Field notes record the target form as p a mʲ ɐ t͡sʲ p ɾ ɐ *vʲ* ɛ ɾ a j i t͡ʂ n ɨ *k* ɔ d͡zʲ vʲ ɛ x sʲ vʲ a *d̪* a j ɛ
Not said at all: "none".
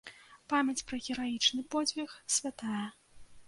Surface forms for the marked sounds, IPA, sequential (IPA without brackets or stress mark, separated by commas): ɣʲ, p, t̪